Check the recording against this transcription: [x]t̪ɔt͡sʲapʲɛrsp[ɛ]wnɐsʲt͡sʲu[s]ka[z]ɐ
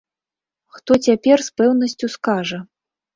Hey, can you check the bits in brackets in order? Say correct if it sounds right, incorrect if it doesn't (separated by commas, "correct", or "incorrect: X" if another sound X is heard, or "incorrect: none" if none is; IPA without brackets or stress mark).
correct, correct, correct, incorrect: ʐ